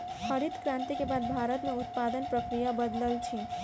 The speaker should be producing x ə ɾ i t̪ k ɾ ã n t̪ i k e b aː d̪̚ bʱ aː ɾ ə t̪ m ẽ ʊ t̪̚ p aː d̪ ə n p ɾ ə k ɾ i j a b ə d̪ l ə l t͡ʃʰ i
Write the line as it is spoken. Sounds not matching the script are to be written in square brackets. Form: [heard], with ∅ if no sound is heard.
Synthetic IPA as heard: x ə ɾ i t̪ k ɾ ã n t̪ i k e b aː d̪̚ bʱ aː ɾ ə t̪ m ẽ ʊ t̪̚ p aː d̪ ə n p ɾ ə k ɾ i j a b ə d̪ l ə l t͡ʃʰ i